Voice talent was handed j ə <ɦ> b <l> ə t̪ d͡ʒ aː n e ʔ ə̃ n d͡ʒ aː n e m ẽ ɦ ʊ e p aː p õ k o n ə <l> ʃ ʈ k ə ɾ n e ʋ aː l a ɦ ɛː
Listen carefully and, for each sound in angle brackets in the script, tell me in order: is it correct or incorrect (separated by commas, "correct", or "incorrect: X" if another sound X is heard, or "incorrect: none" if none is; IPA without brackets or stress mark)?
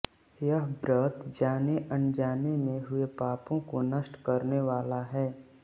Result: correct, incorrect: ɾ, incorrect: none